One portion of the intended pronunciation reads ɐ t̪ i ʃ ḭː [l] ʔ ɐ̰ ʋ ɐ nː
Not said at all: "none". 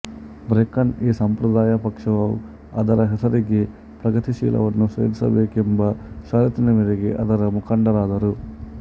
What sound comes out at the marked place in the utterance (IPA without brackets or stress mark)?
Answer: l